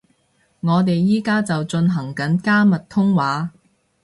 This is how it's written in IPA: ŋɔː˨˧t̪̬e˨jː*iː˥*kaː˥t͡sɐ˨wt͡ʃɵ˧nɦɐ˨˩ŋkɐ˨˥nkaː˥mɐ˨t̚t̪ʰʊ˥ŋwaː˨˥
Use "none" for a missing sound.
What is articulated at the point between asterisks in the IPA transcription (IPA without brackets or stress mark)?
iː˥